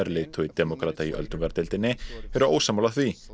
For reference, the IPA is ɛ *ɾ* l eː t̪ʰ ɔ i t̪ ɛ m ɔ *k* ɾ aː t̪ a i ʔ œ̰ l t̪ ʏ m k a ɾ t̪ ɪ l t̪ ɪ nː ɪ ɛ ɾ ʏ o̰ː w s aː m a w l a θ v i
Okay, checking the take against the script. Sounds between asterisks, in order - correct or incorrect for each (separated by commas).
correct, correct